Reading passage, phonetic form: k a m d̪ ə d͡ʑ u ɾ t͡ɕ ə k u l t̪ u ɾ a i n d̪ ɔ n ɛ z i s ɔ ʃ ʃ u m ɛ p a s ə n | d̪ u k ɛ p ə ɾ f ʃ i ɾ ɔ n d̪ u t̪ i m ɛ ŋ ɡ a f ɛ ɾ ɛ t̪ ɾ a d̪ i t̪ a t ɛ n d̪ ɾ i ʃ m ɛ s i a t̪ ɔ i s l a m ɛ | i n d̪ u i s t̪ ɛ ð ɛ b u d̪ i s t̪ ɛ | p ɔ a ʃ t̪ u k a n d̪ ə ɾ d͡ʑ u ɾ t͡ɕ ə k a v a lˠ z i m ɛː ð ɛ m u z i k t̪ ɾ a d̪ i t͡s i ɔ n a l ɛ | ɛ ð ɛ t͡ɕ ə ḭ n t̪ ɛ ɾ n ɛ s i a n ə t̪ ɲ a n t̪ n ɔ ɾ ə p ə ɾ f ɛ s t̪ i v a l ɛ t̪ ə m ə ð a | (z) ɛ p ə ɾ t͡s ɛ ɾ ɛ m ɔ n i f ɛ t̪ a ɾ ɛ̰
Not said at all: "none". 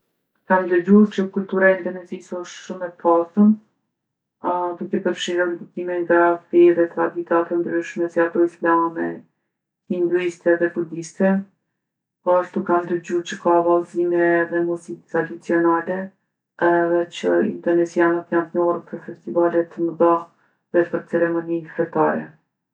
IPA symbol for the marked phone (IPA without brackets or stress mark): ð